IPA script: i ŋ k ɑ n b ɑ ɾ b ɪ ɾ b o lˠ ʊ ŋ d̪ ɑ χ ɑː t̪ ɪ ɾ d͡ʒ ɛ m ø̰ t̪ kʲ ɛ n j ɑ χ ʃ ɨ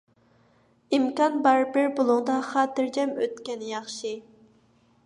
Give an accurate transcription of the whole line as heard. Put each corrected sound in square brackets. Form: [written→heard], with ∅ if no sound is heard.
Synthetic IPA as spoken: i [ŋ→m] k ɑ n b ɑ ɾ b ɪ ɾ b o lˠ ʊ ŋ d̪ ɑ χ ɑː t̪ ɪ ɾ d͡ʒ ɛ m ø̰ t̪ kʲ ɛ n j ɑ χ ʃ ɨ